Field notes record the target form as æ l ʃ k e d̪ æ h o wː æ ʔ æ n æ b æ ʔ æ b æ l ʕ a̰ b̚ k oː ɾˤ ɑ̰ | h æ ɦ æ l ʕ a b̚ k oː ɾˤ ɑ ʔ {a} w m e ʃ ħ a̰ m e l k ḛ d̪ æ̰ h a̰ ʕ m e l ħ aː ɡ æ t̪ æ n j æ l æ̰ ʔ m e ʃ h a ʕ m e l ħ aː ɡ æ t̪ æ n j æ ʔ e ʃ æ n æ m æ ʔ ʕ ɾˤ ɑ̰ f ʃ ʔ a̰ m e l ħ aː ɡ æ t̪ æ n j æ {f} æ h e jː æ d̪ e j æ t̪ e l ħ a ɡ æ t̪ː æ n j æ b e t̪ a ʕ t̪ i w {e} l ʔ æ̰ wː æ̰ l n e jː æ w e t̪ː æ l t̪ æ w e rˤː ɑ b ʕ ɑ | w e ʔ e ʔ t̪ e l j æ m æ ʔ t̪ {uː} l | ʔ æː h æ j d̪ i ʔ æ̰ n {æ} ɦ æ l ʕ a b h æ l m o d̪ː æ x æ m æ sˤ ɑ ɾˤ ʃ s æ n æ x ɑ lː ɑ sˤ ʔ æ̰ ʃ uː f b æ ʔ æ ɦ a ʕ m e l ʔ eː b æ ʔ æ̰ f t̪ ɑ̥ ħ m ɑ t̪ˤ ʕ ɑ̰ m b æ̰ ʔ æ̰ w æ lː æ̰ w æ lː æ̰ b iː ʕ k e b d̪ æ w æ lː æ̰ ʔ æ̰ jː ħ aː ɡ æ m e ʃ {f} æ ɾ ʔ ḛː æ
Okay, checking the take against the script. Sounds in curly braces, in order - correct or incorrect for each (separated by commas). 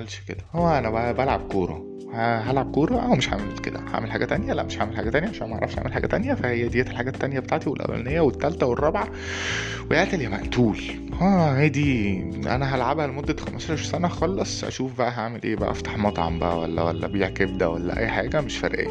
incorrect, correct, correct, correct, correct, correct